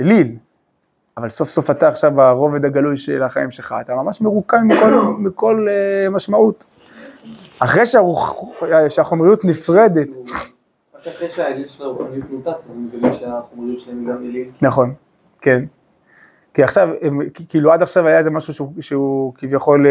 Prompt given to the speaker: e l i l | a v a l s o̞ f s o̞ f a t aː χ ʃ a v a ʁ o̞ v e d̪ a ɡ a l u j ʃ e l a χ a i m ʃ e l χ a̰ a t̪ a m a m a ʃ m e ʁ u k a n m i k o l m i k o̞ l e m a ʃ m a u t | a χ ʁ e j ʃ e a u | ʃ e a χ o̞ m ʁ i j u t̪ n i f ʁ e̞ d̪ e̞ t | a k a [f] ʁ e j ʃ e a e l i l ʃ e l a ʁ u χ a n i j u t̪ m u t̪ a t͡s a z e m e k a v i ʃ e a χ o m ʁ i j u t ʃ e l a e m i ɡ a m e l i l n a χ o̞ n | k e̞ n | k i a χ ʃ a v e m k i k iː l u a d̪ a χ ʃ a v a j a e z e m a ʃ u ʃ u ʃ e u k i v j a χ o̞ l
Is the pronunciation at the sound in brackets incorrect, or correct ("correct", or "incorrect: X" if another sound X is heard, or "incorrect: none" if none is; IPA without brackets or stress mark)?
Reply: incorrect: χ